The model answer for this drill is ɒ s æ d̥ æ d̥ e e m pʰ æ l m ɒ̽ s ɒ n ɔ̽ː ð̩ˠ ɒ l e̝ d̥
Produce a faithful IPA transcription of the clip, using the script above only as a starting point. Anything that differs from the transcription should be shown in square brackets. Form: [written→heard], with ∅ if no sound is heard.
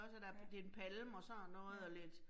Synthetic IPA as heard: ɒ s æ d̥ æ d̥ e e [m→n] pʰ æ l m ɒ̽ s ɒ n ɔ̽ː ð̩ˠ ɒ l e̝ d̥